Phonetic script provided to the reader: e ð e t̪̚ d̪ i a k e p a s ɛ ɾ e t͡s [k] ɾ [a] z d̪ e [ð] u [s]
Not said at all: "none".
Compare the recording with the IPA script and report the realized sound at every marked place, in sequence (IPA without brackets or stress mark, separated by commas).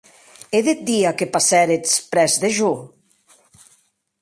p, ɛ, ʒ, none